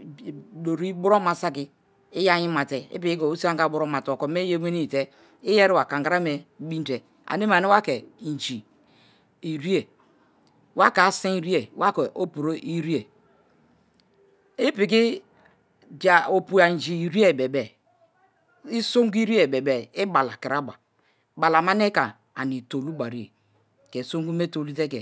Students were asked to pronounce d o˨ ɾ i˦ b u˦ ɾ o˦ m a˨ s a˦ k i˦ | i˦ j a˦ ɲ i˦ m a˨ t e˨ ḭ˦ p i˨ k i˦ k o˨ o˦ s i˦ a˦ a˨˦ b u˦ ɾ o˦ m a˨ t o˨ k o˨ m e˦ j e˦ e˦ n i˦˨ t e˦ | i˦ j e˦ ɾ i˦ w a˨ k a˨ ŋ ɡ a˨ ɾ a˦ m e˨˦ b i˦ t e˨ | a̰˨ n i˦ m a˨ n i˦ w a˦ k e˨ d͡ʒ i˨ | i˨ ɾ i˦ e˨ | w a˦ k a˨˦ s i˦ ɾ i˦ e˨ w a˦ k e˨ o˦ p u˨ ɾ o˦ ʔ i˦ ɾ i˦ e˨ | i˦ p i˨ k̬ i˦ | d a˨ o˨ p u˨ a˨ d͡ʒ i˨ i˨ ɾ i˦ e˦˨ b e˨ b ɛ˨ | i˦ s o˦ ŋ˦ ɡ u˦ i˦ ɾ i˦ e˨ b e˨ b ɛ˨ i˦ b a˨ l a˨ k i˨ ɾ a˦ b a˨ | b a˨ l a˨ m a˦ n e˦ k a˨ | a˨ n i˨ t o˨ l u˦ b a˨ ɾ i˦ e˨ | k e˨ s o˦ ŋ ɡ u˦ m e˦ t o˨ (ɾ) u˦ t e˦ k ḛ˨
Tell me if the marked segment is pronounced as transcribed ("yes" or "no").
no